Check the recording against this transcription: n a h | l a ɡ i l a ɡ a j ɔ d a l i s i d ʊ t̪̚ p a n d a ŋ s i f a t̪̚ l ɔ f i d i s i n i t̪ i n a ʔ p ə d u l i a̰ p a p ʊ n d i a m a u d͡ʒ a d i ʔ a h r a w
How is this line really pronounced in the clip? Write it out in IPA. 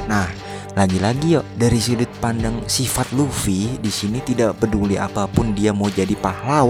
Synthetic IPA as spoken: n a h | l a ɡ i l a ɡ i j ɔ d a ɾ i s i d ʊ t̪̚ p a n d a ŋ s i f a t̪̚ l u f i d i s i n i t̪ i d a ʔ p ə d u l i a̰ p a p ʊ n d i a m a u d͡ʒ a d i p a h l a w